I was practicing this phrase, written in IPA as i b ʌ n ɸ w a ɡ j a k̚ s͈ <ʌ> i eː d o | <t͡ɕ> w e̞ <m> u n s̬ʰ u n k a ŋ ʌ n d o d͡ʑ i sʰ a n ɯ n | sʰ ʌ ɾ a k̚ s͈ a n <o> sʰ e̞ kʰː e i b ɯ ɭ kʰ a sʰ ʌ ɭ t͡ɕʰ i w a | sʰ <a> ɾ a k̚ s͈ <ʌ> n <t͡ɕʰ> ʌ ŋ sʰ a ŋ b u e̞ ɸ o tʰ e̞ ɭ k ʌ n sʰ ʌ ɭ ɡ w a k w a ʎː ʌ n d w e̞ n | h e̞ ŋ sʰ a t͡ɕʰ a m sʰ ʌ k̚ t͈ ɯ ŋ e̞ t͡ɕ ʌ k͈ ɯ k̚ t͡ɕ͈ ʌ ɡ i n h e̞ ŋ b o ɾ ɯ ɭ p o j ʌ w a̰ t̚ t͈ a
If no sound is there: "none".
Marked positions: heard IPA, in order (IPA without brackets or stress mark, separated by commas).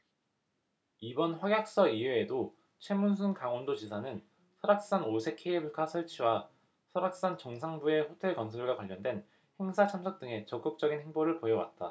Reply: ʌ, t͡ɕʰ, m, o, ʌ, a, t͡ɕ